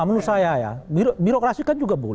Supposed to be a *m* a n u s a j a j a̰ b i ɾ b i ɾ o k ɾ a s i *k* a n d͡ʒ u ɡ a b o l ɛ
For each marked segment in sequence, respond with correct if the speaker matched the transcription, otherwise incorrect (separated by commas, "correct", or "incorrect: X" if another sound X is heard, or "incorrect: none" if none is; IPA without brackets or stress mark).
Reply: correct, correct